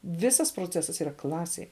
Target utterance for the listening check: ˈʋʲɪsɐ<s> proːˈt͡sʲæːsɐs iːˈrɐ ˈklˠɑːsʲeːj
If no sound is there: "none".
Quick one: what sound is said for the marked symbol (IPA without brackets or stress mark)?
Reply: s